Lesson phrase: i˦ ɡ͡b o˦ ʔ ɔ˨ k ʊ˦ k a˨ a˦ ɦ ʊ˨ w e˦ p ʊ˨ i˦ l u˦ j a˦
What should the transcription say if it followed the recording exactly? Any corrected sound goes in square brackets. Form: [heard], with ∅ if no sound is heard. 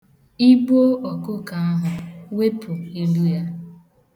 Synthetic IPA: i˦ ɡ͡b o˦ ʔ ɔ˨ k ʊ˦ k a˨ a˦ ɦ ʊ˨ w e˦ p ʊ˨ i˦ l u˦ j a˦